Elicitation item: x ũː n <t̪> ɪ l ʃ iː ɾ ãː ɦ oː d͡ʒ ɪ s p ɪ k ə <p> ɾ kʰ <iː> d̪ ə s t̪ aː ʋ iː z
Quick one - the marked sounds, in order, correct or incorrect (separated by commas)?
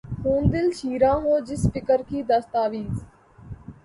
incorrect, incorrect, correct